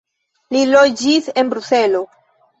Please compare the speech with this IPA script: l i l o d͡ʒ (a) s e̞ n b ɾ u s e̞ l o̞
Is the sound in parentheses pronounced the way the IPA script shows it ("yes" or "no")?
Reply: no